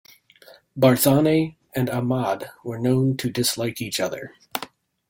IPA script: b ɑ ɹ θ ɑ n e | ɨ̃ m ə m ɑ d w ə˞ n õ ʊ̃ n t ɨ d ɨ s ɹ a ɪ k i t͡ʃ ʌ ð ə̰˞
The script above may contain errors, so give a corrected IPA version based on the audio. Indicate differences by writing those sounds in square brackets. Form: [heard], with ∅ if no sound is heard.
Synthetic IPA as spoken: b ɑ ɹ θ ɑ n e | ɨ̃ [n] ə m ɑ d w ə˞ n õ ʊ̃ n [tʰ] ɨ d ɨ s [l] a ɪ k i t͡ʃ ʌ ð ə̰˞